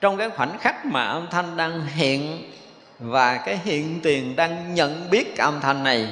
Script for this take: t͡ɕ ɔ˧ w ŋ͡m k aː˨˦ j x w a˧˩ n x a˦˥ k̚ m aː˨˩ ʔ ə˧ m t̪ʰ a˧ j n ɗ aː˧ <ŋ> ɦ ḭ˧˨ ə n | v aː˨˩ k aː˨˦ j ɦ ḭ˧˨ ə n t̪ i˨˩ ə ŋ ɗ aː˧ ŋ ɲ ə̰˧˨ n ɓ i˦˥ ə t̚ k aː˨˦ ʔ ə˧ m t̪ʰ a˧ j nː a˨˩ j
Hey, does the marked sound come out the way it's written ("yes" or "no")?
yes